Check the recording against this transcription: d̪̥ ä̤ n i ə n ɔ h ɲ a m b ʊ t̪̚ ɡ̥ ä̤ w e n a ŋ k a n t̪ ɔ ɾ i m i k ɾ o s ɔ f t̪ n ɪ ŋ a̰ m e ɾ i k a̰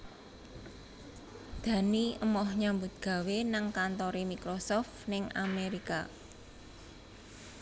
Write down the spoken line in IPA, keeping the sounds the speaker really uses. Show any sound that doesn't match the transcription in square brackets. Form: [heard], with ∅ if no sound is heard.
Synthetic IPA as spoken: d̪̥ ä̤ n i ə [m] ɔ h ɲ a m b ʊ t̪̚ ɡ̥ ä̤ w e n a ŋ k a n t̪ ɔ ɾ i m i k ɾ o s ɔ f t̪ n ɪ ŋ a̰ m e ɾ i k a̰

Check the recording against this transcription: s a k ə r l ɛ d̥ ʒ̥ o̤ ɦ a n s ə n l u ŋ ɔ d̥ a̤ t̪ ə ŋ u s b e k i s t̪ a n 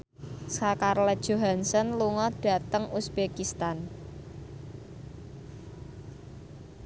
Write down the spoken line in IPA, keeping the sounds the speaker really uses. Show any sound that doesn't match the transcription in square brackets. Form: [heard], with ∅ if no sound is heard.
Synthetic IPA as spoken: s a k [a] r l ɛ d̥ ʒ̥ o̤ ɦ a n s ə n l u ŋ ɔ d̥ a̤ t̪ ə ŋ u s b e k i s t̪ a n

